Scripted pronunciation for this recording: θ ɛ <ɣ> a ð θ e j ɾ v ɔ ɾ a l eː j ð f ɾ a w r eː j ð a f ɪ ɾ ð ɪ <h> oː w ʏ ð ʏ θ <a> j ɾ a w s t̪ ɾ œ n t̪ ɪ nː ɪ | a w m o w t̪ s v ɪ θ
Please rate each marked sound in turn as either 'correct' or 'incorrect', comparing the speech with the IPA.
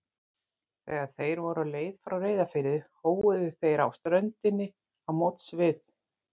correct, correct, incorrect: e

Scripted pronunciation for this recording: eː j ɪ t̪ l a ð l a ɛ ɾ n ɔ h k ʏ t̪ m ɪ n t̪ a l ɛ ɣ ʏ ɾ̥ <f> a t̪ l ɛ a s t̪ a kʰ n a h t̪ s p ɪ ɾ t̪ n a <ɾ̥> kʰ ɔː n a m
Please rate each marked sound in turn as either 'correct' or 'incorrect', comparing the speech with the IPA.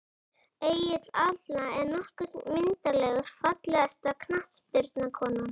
correct, incorrect: none

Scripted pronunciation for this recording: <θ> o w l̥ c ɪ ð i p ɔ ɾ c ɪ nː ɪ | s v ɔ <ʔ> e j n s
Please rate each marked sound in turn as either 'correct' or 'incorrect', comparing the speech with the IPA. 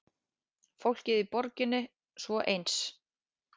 incorrect: f, correct

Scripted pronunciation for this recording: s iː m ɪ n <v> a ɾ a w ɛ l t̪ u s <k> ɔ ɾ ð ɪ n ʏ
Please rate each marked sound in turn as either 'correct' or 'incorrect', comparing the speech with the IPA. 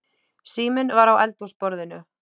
correct, incorrect: p

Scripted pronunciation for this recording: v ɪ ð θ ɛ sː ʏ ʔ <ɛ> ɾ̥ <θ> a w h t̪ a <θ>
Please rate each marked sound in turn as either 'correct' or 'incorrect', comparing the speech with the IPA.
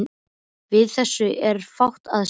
correct, incorrect: f, incorrect: ð

